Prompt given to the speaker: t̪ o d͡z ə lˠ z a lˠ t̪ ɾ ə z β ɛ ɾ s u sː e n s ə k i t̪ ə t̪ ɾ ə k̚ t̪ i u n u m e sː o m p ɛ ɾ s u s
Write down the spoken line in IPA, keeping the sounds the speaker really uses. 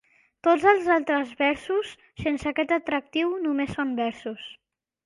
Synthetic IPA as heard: t̪ o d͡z ə lˠ z a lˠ t̪ ɾ ə z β ɛ ɾ s u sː e n s ə k ɛ t̪ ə t̪ ɾ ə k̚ t̪ i w n u m e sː o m b ɛ ɾ s u s